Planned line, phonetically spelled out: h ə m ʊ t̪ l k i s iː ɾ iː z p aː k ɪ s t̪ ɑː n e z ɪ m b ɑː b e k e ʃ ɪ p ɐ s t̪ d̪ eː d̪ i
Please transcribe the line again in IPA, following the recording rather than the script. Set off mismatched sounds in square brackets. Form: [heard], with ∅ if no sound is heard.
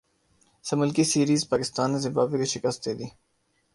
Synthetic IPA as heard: [s] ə m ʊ [∅] l k i s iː ɾ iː z p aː k ɪ s t̪ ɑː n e z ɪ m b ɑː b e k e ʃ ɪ [k] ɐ s t̪ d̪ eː d̪ i